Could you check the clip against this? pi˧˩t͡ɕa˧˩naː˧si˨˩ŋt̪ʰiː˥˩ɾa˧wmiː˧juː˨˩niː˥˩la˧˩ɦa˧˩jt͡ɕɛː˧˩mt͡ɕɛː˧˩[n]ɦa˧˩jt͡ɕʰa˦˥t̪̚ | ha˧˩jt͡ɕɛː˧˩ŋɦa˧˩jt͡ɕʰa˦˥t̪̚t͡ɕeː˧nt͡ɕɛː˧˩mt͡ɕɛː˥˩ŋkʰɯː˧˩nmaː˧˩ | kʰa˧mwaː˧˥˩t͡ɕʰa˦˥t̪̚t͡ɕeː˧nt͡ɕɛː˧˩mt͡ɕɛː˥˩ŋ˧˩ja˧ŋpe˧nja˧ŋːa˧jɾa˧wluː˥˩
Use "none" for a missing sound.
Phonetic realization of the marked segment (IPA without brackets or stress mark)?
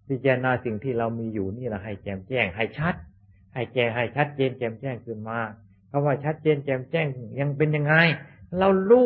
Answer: ŋ